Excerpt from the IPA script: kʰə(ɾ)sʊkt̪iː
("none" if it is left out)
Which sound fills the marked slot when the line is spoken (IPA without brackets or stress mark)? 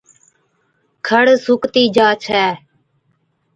ɽ